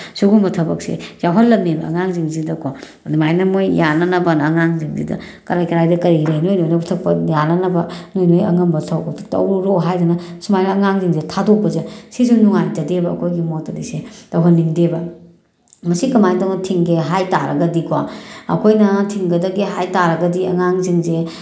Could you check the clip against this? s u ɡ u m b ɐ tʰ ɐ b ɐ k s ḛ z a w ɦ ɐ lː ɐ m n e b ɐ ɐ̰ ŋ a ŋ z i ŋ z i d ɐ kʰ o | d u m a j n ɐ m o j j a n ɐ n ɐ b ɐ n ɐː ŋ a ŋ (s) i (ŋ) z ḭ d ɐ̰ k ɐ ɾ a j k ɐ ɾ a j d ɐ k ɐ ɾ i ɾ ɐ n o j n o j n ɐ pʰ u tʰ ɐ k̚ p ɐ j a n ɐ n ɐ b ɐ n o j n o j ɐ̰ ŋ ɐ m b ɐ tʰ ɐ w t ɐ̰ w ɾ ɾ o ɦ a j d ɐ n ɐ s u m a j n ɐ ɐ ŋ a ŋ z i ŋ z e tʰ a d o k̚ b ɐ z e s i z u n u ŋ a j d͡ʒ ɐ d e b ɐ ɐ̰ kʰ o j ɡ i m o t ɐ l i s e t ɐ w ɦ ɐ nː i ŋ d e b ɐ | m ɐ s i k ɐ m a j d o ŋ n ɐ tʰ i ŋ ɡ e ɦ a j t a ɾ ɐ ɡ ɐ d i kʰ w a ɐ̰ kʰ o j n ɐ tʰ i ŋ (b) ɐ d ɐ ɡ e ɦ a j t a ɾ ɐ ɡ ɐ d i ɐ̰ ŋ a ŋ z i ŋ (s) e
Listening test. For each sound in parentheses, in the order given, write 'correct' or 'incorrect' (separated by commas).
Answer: incorrect, correct, incorrect, incorrect